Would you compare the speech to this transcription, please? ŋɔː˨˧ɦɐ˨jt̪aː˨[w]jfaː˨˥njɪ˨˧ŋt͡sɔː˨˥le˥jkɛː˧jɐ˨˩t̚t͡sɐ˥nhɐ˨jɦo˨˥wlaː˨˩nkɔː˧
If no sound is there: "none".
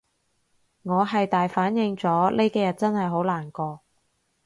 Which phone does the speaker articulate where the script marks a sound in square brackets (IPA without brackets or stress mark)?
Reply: none